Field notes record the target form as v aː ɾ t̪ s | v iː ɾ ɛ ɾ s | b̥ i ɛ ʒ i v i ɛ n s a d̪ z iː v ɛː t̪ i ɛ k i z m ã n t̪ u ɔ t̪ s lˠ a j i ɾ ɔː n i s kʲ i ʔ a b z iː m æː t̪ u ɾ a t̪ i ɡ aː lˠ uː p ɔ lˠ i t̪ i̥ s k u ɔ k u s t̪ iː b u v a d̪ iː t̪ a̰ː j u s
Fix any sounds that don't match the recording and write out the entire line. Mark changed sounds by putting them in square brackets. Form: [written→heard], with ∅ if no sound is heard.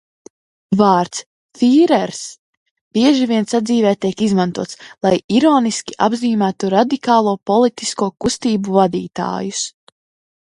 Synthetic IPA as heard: v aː ɾ t̪ s | [v→f] iː ɾ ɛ ɾ s | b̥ i ɛ ʒ i v i ɛ n s a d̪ z iː v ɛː t̪ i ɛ k i z m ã n t̪ u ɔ t̪ s lˠ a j i ɾ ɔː n i s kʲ i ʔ a b z iː m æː t̪ u ɾ a [t̪→d̪] i [ɡ→k] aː lˠ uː p ɔ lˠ i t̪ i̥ s k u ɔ k u s t̪ iː b u v a d̪ iː t̪ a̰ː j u s